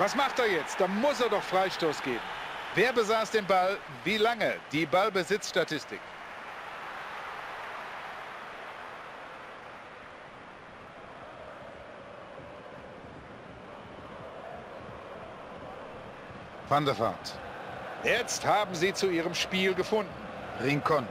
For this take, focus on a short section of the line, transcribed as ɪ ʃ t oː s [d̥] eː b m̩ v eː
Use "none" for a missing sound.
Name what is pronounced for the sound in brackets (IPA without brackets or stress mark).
ɡ̥